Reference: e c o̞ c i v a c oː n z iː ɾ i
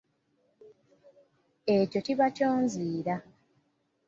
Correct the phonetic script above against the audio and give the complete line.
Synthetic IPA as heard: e c o̞ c i β a c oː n z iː ɾ a

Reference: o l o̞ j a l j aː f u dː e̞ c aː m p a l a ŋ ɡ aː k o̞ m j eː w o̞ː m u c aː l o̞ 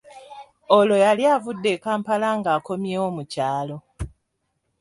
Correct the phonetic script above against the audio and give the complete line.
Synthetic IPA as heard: o l o̞ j a l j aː v u dː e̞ k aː m p a l a ŋ ɡ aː k o̞ m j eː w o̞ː m u c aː l o̞

